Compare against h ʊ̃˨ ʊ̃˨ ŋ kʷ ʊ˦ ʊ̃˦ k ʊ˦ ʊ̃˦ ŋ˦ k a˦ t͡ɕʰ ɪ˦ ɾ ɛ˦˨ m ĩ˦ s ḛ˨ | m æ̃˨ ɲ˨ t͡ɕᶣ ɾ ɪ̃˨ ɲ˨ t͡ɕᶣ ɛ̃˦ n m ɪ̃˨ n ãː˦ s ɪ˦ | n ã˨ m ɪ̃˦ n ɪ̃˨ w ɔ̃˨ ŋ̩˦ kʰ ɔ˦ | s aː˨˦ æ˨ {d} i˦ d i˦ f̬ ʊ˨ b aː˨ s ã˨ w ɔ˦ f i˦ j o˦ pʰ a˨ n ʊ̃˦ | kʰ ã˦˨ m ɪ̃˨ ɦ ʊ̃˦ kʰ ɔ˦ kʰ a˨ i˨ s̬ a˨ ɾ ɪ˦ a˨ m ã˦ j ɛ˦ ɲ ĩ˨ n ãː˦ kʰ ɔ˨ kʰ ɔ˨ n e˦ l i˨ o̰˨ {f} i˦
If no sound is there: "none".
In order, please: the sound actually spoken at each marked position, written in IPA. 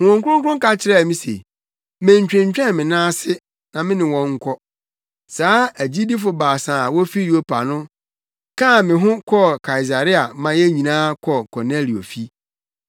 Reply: d͡ʑ, f

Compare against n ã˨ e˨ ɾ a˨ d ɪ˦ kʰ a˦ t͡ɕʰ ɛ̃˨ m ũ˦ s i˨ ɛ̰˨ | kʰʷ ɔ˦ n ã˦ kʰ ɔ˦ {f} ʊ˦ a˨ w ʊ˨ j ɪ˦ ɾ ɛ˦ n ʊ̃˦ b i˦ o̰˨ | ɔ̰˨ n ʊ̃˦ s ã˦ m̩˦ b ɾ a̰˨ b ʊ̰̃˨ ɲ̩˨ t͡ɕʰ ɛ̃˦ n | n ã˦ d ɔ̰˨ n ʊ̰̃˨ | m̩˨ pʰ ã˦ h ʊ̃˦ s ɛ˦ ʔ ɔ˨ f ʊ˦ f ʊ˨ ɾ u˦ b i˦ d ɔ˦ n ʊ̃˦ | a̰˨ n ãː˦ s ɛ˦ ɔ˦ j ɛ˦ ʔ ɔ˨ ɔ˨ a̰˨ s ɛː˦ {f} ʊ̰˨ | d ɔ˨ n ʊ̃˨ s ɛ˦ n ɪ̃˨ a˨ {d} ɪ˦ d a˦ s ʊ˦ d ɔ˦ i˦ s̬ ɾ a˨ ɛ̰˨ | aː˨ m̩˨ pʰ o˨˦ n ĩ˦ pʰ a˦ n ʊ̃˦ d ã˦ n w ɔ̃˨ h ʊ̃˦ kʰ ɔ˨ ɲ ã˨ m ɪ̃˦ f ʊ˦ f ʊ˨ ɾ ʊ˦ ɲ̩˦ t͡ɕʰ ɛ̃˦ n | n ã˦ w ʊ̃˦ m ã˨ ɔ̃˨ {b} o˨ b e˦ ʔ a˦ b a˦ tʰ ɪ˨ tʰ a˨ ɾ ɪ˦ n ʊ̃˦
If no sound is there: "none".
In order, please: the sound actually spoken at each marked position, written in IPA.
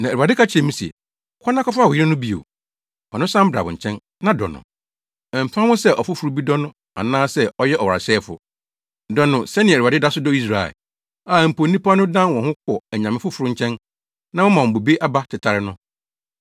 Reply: f, f, d, b

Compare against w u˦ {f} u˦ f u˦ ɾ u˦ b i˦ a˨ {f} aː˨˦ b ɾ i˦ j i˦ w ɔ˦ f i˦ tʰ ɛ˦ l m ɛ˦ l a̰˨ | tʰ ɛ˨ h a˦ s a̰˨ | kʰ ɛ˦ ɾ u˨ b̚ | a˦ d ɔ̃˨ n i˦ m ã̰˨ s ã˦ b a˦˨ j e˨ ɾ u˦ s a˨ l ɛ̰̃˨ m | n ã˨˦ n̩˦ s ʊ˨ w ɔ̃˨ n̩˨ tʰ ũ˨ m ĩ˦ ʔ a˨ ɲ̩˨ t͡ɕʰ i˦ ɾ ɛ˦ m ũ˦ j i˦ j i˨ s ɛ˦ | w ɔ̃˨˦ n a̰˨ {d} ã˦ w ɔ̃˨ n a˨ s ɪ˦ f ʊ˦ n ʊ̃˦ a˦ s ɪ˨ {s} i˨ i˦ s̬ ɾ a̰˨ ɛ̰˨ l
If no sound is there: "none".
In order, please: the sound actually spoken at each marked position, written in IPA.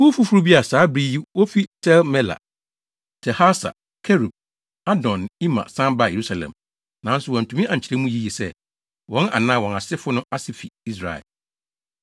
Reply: f, s, n, f

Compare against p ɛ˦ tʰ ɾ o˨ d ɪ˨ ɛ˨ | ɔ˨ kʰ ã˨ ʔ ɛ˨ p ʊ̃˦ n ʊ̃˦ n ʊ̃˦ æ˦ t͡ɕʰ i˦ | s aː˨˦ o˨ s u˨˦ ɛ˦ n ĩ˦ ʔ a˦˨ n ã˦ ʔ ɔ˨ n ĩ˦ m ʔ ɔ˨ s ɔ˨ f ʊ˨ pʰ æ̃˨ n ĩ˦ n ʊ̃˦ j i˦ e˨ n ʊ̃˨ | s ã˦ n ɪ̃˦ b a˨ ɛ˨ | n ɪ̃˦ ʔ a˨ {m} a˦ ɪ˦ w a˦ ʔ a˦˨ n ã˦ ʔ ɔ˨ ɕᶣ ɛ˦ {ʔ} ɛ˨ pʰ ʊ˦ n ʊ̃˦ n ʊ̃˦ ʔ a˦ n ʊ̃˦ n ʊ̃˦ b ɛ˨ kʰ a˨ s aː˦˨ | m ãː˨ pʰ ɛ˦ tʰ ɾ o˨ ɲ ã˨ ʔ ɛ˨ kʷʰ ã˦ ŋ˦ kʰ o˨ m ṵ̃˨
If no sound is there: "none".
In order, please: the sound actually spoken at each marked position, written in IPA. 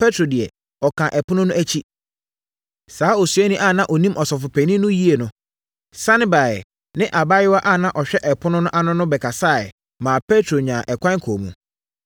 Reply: b, ʔ

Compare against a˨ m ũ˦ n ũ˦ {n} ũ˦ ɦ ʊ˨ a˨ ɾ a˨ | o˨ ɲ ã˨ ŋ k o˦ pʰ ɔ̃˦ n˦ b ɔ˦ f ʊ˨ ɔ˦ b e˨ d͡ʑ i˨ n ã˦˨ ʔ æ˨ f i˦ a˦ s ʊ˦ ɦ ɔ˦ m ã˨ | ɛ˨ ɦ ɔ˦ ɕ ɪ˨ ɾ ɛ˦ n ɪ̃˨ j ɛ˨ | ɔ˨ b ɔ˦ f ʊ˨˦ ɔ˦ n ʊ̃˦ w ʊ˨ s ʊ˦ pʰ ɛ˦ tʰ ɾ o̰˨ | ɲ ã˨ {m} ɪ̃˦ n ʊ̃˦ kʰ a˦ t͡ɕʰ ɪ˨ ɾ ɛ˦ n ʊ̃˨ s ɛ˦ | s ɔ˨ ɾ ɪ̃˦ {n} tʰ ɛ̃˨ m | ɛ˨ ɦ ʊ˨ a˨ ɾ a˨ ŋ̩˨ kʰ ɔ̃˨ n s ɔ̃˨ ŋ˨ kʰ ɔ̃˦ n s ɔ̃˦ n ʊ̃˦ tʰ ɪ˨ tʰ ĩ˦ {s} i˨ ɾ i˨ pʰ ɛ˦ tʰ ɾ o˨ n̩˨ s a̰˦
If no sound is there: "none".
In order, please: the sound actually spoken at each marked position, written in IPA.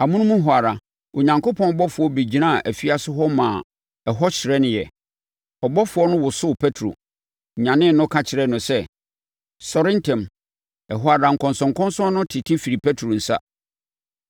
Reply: m, n, n, f

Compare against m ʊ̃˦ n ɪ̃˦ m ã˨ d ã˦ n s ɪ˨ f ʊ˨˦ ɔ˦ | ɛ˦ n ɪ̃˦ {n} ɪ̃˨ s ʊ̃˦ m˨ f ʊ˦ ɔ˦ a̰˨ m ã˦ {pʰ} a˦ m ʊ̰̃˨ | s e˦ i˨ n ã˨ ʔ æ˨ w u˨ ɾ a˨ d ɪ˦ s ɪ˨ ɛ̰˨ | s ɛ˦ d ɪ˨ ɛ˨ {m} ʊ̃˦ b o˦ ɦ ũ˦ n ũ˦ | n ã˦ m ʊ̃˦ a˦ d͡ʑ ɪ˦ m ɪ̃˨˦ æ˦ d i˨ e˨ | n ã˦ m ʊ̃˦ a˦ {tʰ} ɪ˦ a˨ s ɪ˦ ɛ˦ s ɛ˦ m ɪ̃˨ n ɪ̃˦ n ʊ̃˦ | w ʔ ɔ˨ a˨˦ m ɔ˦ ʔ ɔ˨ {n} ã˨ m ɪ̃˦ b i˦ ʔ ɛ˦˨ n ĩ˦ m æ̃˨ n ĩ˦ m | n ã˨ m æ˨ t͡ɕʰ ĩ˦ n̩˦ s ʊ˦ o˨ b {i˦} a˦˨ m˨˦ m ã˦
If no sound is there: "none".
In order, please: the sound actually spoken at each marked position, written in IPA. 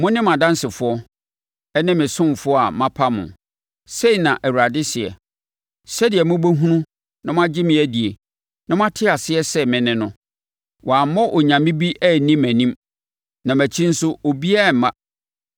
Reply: m, pʰ, m, tʰ, ɲ, i˦

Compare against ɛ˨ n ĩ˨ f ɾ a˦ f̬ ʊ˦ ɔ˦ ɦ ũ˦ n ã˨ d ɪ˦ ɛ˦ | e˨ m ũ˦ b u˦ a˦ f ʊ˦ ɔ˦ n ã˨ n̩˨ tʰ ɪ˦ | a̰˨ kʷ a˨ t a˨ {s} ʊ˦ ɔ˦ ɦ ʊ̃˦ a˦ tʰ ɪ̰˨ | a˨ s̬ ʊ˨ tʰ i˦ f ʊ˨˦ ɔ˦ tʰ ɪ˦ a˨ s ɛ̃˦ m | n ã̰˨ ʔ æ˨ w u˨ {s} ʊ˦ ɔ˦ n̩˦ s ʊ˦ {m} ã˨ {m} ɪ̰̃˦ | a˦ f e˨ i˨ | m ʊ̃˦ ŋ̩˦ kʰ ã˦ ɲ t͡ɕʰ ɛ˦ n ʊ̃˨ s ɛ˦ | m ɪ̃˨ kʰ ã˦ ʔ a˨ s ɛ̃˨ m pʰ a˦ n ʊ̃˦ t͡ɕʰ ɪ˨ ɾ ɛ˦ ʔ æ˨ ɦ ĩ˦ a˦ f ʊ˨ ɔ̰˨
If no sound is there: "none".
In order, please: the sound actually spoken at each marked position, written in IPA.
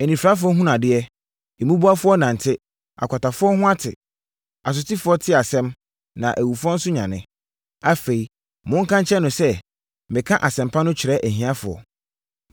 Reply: f, f, ɲ, n

